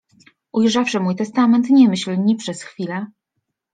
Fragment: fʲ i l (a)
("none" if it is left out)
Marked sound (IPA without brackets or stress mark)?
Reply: ɛ